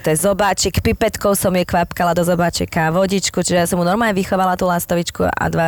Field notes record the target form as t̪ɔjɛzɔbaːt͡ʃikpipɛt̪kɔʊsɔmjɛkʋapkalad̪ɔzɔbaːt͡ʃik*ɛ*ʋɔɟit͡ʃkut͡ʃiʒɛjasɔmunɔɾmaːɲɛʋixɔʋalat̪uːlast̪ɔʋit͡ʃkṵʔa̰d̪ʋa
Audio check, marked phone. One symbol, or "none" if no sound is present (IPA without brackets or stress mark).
a